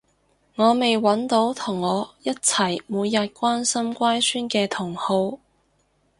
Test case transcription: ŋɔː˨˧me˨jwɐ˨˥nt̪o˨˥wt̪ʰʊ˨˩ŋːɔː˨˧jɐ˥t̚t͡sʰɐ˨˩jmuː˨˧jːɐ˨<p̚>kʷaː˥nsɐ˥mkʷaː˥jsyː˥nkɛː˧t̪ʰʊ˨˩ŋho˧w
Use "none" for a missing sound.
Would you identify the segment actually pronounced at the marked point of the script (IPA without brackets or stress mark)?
t̚